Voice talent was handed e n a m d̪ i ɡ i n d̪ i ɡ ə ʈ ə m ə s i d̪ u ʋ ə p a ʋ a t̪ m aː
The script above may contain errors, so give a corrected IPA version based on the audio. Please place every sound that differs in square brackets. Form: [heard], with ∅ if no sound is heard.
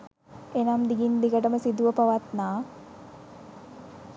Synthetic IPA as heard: e n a m d̪ i ɡ i n d̪ i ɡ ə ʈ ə m ə s i d̪ u ʋ ə p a ʋ a t̪ [n] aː